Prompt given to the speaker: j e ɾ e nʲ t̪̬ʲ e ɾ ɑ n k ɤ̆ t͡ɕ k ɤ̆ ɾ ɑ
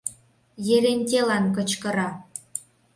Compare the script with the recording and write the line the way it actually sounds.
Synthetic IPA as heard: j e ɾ e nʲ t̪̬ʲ e l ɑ n k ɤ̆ t͡ɕ k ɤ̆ ɾ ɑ